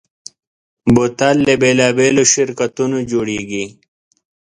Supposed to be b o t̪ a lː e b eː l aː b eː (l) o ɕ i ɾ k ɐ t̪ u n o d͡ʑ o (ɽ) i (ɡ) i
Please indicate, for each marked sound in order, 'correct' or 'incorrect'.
correct, correct, correct

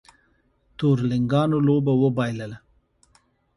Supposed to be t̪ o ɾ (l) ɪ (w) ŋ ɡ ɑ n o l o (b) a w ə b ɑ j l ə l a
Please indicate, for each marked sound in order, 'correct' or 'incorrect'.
correct, incorrect, correct

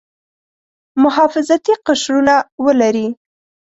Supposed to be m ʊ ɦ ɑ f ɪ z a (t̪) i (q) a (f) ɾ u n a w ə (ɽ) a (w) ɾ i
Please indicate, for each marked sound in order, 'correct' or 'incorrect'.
correct, correct, incorrect, incorrect, incorrect

